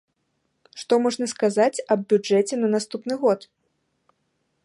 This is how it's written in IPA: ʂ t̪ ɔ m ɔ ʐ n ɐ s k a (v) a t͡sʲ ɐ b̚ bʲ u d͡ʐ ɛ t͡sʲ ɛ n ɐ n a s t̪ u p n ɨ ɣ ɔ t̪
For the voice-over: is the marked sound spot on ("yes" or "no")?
no